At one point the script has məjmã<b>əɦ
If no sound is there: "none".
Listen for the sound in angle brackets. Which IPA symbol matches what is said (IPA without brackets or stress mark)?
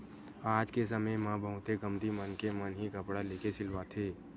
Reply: b